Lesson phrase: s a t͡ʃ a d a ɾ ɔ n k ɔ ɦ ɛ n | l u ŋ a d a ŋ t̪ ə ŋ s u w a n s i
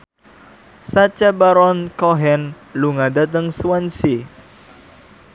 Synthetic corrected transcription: s a t͡ʃ a b a ɾ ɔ n k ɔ ɦ ɛ n | l u ŋ a d a t̪ ə ŋ s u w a n s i